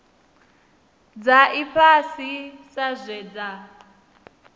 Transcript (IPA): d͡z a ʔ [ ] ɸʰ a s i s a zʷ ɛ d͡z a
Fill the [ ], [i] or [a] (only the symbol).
i